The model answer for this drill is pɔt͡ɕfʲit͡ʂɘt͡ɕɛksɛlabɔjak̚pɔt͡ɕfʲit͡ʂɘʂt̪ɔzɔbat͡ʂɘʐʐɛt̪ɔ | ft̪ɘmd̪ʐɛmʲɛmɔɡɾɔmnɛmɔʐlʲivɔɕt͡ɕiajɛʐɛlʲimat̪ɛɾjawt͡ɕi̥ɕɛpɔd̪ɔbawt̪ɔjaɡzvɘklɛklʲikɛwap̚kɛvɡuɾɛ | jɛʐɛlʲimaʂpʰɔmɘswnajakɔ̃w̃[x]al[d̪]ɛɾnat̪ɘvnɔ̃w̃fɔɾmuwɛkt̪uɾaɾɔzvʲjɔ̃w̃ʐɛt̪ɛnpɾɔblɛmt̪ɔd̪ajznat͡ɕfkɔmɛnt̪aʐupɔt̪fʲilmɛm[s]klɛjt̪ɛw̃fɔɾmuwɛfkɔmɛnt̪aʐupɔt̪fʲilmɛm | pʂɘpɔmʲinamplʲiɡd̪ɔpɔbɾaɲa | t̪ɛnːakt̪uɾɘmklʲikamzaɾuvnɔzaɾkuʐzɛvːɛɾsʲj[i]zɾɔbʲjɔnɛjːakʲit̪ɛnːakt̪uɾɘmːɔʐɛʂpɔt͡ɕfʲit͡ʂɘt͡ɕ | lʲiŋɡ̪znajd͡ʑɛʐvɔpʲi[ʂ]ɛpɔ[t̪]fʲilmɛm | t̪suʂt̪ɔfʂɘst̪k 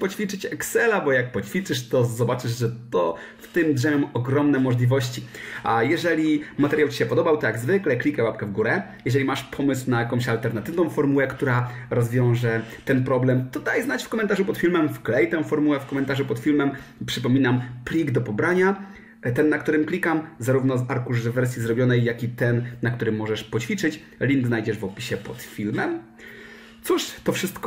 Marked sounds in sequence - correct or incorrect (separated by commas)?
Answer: incorrect, incorrect, incorrect, correct, incorrect, correct